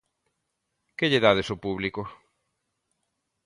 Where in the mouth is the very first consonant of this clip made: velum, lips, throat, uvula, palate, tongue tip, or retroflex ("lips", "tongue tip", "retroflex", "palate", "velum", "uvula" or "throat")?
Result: velum